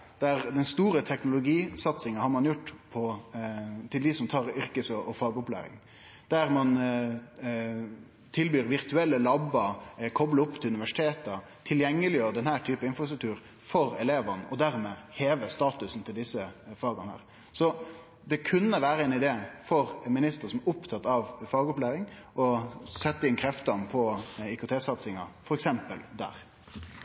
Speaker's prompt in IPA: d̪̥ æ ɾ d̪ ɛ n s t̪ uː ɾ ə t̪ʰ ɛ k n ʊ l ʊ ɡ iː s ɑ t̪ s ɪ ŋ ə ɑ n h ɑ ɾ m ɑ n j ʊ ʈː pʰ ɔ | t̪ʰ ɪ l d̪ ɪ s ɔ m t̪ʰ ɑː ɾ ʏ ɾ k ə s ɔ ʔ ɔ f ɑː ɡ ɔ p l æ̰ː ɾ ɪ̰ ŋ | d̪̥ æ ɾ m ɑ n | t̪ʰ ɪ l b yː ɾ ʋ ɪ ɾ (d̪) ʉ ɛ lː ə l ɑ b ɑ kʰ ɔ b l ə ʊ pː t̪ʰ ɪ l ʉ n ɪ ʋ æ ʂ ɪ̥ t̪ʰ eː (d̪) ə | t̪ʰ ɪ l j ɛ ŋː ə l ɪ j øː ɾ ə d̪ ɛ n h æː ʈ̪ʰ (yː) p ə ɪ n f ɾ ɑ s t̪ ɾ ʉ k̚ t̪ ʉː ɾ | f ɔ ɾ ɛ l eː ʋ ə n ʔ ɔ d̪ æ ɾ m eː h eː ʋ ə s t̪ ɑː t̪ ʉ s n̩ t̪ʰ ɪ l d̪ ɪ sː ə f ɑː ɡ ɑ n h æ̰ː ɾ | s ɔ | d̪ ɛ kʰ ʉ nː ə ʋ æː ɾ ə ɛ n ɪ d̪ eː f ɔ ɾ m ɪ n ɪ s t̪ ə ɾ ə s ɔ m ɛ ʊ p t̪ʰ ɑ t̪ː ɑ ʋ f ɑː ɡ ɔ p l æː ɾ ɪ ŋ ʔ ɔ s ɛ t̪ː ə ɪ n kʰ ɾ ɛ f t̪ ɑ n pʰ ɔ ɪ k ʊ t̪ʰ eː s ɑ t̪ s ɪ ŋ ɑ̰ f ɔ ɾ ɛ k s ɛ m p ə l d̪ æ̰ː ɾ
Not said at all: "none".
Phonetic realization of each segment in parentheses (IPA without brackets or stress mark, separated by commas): t̪, t̪, yː